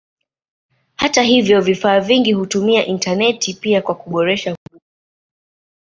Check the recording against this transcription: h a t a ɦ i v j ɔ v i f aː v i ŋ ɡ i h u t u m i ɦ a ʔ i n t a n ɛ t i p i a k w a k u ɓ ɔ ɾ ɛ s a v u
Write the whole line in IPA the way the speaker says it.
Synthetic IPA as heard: h a t a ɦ i v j ɔ v i f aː v i ŋ ɡ i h u t u m i a ʔ i n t a n ɛ t i p i a k w a k u ɓ ɔ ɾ ɛ ʃ a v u